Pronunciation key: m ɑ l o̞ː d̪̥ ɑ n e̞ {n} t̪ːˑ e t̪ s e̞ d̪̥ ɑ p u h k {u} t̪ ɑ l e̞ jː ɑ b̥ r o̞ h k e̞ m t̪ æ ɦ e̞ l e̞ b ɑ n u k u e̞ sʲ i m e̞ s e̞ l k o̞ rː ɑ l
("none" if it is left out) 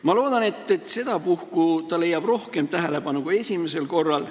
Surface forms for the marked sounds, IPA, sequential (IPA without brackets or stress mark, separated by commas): none, u